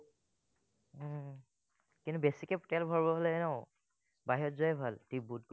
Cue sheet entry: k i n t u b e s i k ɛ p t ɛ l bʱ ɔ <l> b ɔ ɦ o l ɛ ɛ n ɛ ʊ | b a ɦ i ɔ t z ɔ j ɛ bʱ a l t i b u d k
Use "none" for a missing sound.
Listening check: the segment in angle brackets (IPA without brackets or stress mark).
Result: ɹ